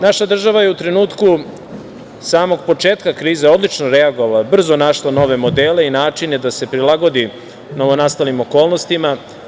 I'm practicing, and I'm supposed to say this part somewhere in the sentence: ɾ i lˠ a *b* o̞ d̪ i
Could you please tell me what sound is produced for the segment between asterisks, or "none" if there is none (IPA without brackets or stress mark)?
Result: ɡ